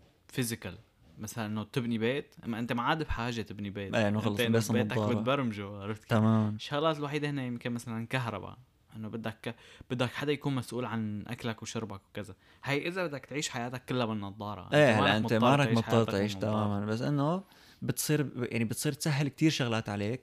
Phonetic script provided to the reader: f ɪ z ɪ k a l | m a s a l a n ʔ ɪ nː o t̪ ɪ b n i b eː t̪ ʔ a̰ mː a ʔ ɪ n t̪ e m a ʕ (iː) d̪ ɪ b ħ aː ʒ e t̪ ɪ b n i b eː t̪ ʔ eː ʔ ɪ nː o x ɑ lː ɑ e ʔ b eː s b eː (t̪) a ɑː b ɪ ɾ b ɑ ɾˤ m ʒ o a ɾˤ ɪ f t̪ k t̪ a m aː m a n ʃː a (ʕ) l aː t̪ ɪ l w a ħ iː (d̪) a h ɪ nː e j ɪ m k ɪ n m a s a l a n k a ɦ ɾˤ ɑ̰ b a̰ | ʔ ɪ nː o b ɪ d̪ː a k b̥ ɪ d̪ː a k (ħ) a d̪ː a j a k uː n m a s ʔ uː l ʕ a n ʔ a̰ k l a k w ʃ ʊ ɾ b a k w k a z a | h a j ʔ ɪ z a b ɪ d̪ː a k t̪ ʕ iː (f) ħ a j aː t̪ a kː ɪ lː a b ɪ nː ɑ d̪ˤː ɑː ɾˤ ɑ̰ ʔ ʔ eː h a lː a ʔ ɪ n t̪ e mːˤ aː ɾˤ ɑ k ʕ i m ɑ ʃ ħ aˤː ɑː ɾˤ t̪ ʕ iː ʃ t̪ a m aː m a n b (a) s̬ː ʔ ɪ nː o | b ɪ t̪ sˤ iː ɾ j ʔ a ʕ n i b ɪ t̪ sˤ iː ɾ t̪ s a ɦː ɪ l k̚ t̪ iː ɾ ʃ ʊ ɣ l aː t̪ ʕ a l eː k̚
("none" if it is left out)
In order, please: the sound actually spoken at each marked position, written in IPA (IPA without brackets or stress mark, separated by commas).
aː, t̪, ɣ, d̪, ħ, ʃ, a